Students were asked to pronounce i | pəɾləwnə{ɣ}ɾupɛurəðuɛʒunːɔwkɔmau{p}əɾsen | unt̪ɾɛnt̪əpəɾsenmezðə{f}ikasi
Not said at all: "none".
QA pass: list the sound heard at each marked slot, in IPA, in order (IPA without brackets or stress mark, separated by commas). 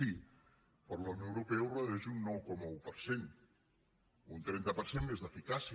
w, p, f